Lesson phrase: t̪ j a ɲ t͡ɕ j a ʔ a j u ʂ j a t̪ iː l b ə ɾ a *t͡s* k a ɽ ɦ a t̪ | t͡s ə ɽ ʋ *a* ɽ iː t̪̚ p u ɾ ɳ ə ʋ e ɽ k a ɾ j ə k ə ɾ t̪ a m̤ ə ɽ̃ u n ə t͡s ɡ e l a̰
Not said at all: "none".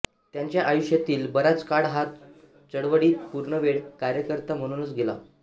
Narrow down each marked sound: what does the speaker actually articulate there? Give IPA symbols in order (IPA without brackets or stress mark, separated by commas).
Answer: t͡s, ə